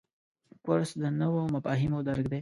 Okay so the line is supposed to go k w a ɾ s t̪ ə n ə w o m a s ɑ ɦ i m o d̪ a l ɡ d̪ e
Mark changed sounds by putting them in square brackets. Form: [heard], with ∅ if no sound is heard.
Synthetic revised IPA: k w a ɾ s [d̪] ə n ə w o m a [f] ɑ ɦ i m o d̪ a [ɾ] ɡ d̪ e